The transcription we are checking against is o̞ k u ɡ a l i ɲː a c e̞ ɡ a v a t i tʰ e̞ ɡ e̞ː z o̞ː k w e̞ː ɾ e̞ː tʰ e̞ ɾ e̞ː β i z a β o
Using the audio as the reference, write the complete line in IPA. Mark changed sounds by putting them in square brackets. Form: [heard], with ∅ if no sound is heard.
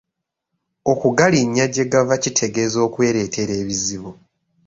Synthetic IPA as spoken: o̞ k u ɡ a l i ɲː a [ɟ] e̞ ɡ a v a [c] i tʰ e̞ ɡ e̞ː z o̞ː k w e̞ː ɾ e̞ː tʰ e̞ ɾ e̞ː β i z [i] β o